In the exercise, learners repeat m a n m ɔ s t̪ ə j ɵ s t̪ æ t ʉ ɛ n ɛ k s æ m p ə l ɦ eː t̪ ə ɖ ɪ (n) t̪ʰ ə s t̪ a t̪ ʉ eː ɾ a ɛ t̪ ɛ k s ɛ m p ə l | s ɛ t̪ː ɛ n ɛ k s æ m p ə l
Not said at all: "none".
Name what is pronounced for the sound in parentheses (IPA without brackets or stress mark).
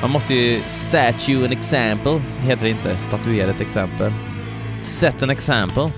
n